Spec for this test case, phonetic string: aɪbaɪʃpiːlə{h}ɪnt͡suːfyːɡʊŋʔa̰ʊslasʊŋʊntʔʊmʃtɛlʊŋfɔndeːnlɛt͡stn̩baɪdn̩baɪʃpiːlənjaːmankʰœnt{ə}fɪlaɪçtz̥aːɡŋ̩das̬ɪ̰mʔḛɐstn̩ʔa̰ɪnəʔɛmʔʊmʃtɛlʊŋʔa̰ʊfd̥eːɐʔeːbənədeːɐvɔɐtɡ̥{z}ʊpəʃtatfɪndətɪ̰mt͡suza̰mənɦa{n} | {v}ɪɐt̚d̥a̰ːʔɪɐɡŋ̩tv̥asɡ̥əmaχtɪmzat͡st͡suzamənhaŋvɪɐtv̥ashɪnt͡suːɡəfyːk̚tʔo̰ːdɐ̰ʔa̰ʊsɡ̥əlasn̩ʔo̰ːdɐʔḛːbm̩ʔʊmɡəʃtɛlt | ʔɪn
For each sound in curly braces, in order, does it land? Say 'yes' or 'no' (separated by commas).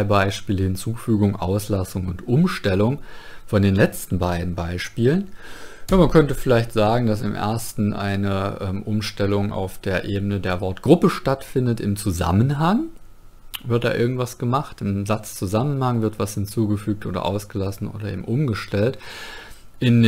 yes, yes, no, no, yes